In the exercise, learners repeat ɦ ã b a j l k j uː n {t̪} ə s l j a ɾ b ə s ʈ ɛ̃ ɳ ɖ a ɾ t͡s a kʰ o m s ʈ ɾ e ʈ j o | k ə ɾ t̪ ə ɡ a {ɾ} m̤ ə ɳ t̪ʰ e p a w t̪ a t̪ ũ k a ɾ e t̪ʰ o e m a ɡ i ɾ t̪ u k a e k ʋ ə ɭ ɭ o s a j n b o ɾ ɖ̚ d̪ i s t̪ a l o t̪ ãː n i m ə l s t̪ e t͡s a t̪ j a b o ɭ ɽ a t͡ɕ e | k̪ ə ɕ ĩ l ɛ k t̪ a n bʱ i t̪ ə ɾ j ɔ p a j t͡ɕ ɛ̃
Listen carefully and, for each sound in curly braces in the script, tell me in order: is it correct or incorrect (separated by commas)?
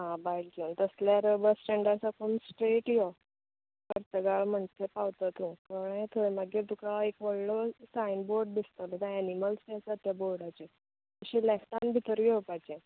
correct, incorrect